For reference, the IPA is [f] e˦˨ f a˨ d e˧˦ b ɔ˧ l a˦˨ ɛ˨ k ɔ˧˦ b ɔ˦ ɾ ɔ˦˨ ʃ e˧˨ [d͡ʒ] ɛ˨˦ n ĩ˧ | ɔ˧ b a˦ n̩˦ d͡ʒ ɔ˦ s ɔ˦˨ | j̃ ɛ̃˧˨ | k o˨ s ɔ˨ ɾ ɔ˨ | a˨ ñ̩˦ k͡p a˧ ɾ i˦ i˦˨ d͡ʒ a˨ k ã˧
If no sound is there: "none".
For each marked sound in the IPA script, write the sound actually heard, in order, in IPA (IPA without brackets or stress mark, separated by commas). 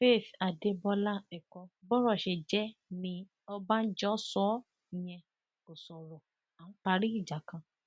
f, d͡ʒ